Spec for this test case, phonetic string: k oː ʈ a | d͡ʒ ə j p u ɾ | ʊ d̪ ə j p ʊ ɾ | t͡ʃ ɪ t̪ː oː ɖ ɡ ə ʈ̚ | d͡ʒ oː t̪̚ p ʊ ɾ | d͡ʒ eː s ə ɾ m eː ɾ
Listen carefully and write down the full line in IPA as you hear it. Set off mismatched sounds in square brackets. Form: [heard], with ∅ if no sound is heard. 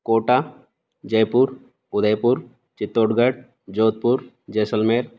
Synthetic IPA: k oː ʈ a | d͡ʒ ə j p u ɾ | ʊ d̪ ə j p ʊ ɾ | t͡ʃ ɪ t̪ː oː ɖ ɡ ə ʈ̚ | d͡ʒ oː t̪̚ p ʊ ɾ | d͡ʒ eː s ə [l] m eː ɾ